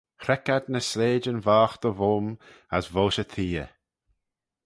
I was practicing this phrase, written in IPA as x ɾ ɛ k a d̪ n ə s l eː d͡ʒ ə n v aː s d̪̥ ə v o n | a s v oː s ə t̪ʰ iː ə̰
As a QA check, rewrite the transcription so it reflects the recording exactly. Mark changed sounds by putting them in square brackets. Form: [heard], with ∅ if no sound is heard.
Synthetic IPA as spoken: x ɾ ɛ k a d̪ n ə s l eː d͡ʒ ə n v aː [x] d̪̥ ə v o [m] | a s v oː [ʃ] ə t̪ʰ iː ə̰